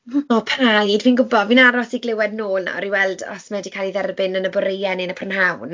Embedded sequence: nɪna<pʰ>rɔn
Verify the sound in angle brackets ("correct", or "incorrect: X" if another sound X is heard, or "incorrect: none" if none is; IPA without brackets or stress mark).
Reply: correct